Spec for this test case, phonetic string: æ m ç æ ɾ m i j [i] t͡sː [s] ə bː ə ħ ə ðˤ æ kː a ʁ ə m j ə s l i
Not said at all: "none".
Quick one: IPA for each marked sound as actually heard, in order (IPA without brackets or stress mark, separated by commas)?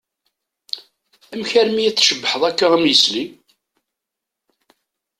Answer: æ, ʃ